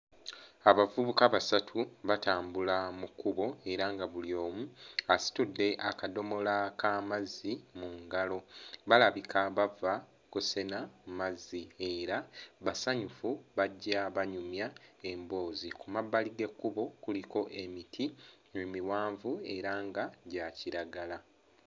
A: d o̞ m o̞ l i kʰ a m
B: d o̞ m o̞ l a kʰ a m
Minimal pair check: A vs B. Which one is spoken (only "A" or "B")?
B